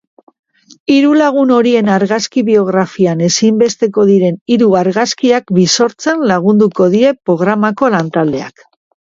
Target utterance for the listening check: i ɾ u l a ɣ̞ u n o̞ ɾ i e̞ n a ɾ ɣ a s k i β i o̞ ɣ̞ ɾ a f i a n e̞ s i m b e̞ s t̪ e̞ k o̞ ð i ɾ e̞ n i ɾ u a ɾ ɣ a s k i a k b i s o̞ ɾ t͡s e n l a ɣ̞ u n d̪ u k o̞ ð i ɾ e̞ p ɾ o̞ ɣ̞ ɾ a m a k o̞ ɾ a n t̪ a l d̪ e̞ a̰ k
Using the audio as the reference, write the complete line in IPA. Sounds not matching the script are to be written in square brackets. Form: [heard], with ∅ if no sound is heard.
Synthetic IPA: i ɾ u l a ɣ̞ u n o̞ ɾ i e̞ n a ɾ ɣ a s k i β i o̞ ɣ̞ ɾ a f i a n e̞ s i m b e̞ s t̪ e̞ k o̞ ð i ɾ e̞ n i ɾ u a ɾ ɣ a s k i a k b i s o̞ ɾ t͡s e n l a ɣ̞ u n d̪ u k o̞ ð i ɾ e̞ p ɾ o̞ ɣ̞ ɾ a m a k o̞ [l] a n t̪ a l d̪ e̞ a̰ k